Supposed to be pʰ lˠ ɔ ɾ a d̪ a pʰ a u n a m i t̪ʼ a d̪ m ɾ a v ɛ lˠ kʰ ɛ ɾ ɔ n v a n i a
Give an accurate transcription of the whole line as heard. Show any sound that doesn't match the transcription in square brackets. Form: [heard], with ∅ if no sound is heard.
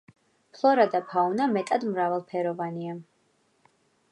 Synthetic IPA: pʰ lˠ ɔ ɾ a d̪ a pʰ a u n a m [ɛ] t̪ʼ a d̪ m ɾ a v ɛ lˠ [pʰ] ɛ ɾ ɔ [∅] v a n i a